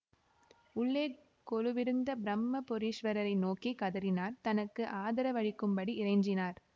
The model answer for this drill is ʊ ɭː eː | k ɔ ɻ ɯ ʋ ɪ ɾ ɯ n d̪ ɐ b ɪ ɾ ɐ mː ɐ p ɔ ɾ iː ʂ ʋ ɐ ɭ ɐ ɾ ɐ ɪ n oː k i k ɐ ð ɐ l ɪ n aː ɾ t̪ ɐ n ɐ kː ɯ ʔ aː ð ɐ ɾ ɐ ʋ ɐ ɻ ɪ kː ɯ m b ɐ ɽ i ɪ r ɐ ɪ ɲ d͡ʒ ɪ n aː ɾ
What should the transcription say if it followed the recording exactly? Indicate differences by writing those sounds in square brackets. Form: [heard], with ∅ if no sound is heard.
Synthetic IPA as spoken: ʊ ɭː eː | k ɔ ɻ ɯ ʋ ɪ ɾ ɯ n d̪ ɐ b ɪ ɾ ɐ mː ɐ p ɔ ɾ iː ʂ ʋ ɐ [ɾ] ɐ ɾ ɐ ɪ n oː k i k ɐ ð ɐ [ɾ] ɪ n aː ɾ t̪ ɐ n ɐ kː ɯ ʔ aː ð ɐ ɾ ɐ ʋ ɐ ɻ ɪ kː ɯ m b ɐ ɽ i ɪ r ɐ ɪ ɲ d͡ʒ ɪ n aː ɾ